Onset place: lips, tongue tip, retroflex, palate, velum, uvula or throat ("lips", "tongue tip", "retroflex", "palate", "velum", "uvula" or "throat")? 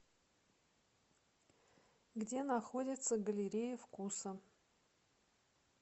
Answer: velum